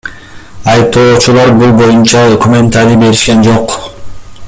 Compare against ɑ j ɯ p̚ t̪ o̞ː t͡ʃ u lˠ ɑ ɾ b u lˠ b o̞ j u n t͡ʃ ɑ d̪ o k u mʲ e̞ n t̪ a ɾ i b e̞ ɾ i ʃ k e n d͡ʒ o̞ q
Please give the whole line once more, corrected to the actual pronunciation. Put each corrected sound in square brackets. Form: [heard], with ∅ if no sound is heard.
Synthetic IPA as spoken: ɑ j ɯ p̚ t̪ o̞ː t͡ʃ u lˠ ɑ ɾ b u lˠ b o̞ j u n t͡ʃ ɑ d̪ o k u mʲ e̞ n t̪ a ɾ i b e̞ ɾ i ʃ k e n d͡ʒ o̞ q